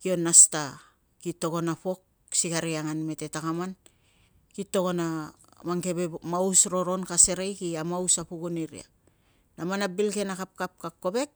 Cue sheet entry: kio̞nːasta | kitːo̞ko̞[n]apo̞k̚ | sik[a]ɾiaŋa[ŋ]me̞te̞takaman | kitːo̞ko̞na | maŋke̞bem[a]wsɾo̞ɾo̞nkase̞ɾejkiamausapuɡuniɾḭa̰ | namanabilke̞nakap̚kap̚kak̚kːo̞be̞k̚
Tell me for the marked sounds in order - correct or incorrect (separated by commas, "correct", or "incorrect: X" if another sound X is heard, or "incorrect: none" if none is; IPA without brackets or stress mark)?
correct, correct, incorrect: n, correct